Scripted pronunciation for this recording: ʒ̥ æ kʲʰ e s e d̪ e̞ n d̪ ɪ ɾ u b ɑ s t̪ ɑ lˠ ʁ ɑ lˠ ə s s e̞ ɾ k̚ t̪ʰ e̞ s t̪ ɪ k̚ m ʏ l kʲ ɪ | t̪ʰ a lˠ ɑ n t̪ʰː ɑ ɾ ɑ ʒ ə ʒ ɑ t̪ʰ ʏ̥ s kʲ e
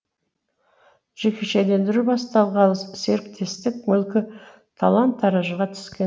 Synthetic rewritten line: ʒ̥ e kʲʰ e ʃ e d̪ e̞ n d̪ ɪ ɾ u b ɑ s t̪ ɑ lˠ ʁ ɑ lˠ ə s s e̞ ɾ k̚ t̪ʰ e̞ s t̪ ɪ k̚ m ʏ l kʲ ɪ | t̪ʰ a lˠ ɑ n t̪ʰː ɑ ɾ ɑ ʒ ə ʁ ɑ t̪ʰ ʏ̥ s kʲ e